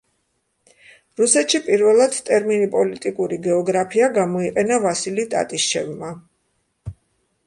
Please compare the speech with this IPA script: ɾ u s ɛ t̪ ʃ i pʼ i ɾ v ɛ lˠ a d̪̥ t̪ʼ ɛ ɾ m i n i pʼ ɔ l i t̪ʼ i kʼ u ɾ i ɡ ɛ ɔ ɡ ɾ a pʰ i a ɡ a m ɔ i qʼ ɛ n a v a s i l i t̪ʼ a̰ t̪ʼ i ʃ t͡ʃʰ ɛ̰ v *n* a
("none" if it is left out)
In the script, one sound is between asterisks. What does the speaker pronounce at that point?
m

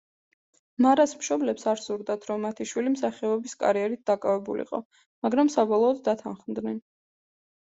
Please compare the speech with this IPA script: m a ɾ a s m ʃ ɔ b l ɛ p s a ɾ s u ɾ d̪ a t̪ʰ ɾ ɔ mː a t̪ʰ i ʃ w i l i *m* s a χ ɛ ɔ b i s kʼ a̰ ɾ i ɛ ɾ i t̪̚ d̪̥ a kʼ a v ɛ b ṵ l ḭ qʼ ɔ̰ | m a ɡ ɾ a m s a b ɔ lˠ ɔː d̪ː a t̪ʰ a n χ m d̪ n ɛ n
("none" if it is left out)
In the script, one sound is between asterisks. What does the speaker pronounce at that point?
m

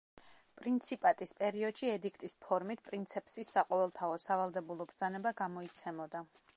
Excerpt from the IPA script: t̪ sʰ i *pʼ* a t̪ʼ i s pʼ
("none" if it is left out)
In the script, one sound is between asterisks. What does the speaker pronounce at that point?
pʼ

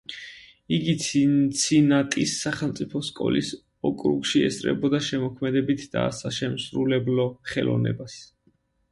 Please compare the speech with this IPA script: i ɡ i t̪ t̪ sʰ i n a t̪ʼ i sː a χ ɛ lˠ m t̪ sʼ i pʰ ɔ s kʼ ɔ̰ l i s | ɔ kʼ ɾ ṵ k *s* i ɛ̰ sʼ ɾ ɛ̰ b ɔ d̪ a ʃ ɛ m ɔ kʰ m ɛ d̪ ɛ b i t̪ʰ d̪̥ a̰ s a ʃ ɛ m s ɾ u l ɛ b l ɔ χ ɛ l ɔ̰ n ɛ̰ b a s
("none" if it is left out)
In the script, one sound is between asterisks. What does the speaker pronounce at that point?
ʃ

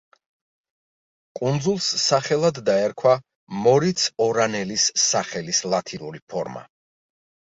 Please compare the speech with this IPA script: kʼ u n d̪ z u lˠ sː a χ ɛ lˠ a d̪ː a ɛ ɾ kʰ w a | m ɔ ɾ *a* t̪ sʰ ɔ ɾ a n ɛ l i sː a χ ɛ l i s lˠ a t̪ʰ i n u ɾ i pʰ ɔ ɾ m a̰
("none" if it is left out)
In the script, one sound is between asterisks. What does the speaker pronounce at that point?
i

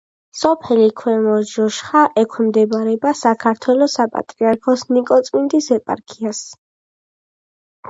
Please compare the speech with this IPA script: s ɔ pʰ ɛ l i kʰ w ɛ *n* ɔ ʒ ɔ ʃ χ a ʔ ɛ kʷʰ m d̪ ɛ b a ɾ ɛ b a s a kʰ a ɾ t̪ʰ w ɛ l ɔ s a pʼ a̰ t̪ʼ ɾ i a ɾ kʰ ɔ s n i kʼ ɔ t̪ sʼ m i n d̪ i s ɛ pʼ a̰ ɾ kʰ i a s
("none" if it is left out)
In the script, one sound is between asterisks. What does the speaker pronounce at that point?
m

